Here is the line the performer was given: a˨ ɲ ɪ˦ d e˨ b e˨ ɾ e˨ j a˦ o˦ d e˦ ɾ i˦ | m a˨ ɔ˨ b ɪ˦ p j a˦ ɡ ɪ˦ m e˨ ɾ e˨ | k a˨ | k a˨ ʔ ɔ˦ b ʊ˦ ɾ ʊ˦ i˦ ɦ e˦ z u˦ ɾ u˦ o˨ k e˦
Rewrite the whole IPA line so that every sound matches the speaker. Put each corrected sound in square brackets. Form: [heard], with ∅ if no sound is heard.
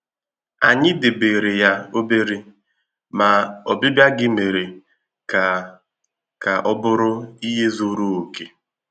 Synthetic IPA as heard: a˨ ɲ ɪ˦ d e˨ b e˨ ɾ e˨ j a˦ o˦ [b] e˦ ɾ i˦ | m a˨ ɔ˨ b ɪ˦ [b] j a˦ ɡ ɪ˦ m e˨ ɾ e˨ | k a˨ | k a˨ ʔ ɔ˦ b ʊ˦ ɾ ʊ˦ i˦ ɦ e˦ z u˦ ɾ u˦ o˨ k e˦